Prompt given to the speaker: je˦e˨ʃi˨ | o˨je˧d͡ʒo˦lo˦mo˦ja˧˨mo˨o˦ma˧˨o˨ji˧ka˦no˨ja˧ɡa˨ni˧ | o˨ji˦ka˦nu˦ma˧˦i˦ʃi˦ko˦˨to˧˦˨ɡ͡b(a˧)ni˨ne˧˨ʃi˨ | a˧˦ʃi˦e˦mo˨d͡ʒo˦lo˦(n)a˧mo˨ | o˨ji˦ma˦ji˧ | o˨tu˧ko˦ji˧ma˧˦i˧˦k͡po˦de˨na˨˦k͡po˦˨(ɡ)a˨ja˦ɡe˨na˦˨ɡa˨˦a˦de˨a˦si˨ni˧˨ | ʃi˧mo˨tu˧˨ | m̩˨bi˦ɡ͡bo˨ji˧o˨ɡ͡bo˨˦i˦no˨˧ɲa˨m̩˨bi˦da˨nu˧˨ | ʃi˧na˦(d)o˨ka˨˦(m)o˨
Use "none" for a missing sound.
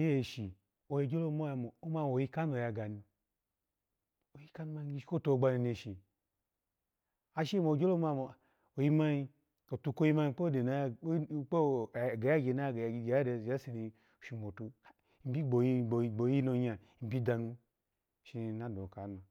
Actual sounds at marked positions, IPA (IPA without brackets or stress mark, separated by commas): a˧, m, ɡ, d, n